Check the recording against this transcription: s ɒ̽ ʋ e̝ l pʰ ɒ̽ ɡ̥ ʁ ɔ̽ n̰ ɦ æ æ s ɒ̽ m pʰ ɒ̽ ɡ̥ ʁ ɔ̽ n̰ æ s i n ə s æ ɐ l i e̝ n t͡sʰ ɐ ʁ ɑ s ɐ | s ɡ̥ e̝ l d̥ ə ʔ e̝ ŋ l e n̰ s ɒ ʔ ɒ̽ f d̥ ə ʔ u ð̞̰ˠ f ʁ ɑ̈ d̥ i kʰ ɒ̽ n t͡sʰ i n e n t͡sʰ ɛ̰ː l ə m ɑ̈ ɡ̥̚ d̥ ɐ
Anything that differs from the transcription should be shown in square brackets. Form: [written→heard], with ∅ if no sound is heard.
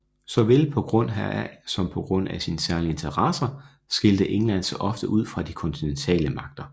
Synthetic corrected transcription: s ɒ̽ ʋ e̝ l pʰ ɒ̽ ɡ̥ ʁ ɔ̽ n̰ ɦ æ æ s ɒ̽ m pʰ ɒ̽ ɡ̥ ʁ ɔ̽ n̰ æ s i n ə s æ ɐ l i e̝ n t͡sʰ ɐ ʁ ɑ s ɐ | s ɡ̥ e̝ l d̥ ə ʔ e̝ ŋ l [e→æ] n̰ s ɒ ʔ ɒ̽ f d̥ ə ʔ u ð̞̰ˠ f ʁ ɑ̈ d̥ i kʰ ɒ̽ n t͡sʰ i n e n t͡sʰ ɛ̰ː l ə m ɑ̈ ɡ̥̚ d̥ ɐ